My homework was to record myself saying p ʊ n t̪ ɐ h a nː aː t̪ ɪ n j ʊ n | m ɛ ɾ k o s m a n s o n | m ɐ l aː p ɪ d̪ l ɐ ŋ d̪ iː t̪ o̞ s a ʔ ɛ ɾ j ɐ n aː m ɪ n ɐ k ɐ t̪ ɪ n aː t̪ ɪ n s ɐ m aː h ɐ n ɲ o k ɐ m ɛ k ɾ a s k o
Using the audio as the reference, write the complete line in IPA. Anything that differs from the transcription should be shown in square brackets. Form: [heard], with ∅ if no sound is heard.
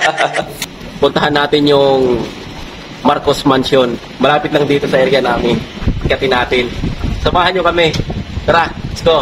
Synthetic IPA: p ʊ n t̪ ɐ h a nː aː t̪ ɪ n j ʊ [ŋ] | m [a] ɾ k o s m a n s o n | m ɐ l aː p ɪ [t̪] l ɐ ŋ d̪ iː t̪ o̞ s [ɐ] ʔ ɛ ɾ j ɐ n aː m ɪ n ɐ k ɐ t̪ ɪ n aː t̪ ɪ n s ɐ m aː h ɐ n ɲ o k ɐ m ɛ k ɾ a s k o